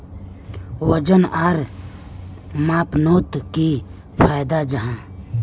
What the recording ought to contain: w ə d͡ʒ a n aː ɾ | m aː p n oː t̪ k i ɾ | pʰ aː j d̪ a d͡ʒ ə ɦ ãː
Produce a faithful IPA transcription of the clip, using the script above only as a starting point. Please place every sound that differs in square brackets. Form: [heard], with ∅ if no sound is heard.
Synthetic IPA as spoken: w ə d͡ʒ [ə] n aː ɾ | m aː p n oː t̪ k i [∅] | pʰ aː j d̪ a d͡ʒ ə ɦ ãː